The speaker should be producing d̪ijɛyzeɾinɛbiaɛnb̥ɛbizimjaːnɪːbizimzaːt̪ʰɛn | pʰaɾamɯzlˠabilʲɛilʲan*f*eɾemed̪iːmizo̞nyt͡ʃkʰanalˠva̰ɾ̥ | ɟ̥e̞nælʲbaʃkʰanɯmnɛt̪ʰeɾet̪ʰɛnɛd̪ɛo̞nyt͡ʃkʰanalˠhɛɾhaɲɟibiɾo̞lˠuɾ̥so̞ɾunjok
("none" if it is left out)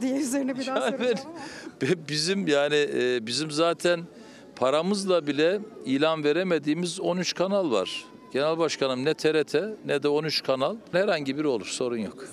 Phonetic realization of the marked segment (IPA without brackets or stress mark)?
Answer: v